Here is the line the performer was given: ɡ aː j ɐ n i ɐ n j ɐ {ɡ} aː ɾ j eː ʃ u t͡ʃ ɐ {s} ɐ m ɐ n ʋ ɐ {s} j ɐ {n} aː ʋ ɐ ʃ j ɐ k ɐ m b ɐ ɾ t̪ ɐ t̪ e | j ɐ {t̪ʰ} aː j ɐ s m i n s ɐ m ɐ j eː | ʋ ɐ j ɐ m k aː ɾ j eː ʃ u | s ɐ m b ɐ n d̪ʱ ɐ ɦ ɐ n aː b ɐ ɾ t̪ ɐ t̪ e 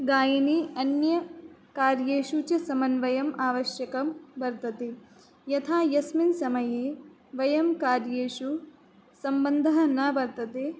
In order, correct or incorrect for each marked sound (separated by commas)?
incorrect, correct, incorrect, incorrect, correct